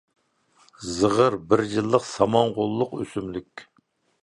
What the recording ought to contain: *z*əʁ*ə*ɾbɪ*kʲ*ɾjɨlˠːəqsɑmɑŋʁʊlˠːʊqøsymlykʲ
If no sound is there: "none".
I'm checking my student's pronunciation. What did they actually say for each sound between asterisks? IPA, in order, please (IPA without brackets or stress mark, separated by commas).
z, ə, none